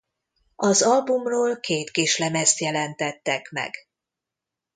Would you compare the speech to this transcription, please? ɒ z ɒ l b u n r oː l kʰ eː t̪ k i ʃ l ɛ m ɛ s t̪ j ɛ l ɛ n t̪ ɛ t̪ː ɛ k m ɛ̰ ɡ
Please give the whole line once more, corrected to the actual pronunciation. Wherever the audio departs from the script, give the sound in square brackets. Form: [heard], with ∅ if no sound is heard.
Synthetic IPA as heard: ɒ z ɒ l b u [m] r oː l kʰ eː t̪ k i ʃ l ɛ m ɛ s t̪ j ɛ l ɛ n t̪ ɛ t̪ː ɛ k m ɛ̰ ɡ